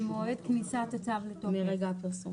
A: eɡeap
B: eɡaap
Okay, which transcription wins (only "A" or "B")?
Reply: B